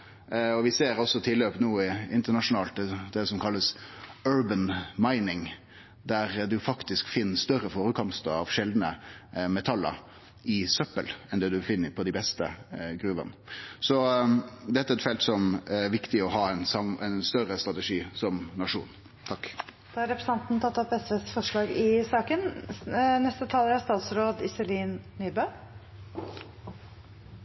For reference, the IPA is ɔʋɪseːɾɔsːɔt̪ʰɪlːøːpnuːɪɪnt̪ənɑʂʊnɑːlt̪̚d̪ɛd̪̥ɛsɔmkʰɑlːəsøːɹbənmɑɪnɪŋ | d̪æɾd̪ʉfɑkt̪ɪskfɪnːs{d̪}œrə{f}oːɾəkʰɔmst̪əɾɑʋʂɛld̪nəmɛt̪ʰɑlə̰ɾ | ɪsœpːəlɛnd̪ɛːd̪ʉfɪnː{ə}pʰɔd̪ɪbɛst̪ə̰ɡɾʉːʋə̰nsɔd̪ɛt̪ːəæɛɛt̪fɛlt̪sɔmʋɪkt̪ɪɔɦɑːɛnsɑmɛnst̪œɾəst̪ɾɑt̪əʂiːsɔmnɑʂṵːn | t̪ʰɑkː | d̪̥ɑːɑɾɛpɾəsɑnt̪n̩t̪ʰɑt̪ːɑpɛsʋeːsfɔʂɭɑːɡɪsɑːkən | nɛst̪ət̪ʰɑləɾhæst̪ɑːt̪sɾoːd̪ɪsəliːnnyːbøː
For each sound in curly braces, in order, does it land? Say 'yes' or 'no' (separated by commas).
no, yes, yes